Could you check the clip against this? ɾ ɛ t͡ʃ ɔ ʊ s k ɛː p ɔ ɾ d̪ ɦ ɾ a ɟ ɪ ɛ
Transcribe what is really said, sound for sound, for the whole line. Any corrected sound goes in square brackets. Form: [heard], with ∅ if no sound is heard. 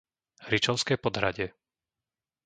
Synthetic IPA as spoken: ɾ [i] t͡ʃ ɔ ʊ s k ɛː p ɔ [∅] d̪ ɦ ɾ a ɟ ɪ ɛ